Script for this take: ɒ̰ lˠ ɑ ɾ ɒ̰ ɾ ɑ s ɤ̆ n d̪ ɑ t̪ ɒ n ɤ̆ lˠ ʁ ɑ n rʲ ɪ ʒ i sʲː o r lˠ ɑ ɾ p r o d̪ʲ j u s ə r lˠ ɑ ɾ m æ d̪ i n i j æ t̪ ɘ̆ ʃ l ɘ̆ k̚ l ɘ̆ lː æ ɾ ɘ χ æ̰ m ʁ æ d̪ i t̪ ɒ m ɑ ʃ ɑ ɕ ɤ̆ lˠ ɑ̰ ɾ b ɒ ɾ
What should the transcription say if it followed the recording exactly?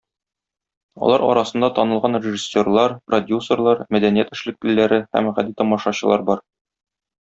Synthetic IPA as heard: ɒ̰ lˠ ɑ ɾ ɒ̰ ɾ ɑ s ɤ̆ n d̪ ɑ t̪ ɒ n ɤ̆ lˠ ʁ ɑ n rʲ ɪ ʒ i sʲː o r lˠ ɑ ɾ p r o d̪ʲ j u s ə r lˠ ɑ ɾ m æ d̪ æ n i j æ t̪ ɘ̆ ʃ l ɘ̆ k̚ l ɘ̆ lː æ ɾ ɘ h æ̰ m ʁ æ d̪ i t̪ ɒ m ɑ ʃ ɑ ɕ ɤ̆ lˠ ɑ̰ ɾ b ɒ ɾ